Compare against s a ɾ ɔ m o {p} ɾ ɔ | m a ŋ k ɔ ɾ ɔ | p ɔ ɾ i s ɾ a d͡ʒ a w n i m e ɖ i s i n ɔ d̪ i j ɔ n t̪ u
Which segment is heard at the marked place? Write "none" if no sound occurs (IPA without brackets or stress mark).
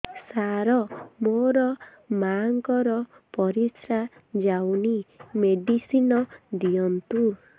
none